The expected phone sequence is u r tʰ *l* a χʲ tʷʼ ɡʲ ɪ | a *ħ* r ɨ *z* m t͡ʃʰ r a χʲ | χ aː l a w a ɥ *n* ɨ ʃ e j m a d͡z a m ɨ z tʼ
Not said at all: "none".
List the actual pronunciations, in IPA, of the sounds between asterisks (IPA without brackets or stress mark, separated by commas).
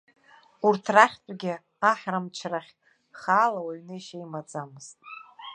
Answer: r, ħ, none, n